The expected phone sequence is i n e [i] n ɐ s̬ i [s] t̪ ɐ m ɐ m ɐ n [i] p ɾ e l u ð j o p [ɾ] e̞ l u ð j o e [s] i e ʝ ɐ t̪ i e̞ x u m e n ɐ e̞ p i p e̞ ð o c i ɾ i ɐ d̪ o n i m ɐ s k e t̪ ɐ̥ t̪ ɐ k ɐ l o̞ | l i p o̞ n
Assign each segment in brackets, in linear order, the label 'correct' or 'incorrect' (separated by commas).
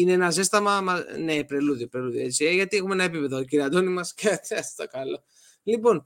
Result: incorrect, correct, incorrect, correct, incorrect